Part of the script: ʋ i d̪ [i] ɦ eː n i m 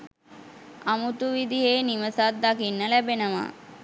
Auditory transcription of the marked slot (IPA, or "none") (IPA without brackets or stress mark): i